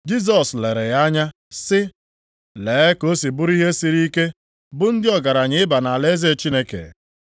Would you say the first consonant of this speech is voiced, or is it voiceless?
voiced